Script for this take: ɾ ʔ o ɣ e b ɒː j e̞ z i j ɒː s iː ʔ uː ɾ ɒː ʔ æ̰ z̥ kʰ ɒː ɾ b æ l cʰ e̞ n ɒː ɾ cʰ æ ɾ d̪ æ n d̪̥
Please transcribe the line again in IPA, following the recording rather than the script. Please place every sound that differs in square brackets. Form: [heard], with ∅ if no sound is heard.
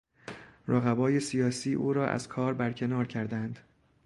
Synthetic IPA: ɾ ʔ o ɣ [æ] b ɒː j e̞ [s] i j ɒː s iː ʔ uː ɾ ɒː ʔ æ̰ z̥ kʰ ɒː ɾ b æ [ɾ] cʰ e̞ n ɒː ɾ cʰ æ ɾ d̪ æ n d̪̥